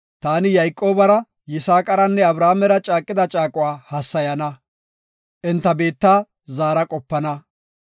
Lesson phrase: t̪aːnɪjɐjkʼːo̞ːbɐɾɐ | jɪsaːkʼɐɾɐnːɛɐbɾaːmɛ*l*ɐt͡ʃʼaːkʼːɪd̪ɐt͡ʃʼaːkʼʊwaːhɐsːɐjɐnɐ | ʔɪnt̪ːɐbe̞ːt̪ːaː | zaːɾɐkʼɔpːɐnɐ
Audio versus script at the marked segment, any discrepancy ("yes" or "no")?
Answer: yes